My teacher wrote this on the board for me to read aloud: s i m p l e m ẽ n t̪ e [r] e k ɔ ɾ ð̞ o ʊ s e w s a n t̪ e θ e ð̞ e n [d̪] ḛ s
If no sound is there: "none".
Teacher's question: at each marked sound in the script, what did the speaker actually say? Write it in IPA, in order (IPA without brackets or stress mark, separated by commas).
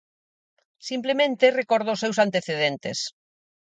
r, t̪